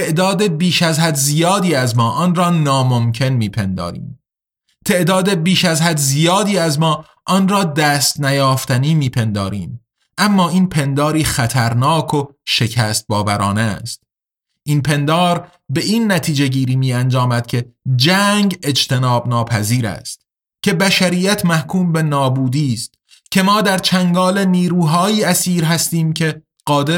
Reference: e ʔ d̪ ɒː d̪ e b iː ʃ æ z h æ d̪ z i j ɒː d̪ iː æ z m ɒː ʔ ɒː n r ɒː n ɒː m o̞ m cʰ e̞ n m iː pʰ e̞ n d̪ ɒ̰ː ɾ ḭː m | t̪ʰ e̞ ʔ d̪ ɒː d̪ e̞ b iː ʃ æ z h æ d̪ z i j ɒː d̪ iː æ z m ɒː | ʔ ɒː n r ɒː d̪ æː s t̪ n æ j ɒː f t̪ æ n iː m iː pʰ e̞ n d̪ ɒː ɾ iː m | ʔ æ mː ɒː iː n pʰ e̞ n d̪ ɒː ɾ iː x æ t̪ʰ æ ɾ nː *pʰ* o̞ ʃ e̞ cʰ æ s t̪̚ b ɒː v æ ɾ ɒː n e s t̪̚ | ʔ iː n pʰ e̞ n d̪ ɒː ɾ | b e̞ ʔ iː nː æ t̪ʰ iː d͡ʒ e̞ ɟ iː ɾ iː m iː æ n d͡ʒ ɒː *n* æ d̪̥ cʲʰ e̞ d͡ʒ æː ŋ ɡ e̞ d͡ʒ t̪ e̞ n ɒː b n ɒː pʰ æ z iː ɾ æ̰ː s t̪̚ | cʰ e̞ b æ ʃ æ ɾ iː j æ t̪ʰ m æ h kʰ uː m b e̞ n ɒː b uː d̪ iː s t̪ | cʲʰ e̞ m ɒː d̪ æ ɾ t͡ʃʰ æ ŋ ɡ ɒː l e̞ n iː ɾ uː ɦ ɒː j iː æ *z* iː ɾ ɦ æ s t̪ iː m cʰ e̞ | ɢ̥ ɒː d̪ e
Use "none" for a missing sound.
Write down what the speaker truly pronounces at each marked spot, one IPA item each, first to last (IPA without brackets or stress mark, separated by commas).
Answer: kʰ, m, s